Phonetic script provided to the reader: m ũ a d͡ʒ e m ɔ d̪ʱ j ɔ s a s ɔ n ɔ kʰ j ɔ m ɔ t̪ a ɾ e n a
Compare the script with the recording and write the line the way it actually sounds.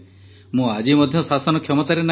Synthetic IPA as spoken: m ũ a d͡ʒ i m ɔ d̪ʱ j ɔ s a s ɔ n ɔ kʰ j ɔ m ɔ t̪ a ɾ e n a